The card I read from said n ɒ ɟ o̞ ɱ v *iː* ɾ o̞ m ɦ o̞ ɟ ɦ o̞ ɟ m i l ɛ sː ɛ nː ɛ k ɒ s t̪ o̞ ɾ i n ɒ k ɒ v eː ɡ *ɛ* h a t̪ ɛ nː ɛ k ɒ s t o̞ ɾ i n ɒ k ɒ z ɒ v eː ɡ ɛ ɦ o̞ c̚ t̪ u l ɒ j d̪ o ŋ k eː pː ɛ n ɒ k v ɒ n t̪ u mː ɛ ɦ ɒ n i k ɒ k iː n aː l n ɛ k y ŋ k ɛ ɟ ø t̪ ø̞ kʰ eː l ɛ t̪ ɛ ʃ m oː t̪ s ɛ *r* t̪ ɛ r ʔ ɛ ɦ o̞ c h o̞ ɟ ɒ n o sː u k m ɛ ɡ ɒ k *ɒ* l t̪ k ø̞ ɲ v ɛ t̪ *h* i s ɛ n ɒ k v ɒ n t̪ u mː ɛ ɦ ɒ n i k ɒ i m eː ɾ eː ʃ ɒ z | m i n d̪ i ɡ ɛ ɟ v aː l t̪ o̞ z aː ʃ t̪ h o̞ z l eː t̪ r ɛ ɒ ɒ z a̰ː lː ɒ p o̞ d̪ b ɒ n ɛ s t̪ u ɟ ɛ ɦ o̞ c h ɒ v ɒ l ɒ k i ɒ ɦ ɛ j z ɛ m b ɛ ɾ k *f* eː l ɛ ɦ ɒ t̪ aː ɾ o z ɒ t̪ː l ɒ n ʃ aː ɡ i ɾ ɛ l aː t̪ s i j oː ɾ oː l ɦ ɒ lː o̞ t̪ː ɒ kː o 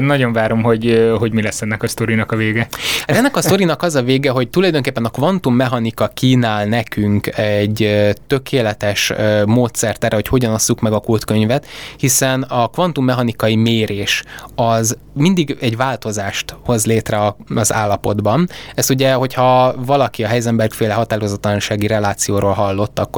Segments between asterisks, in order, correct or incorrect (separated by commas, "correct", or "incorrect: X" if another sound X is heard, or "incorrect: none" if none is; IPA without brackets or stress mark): incorrect: aː, correct, correct, incorrect: u, correct, correct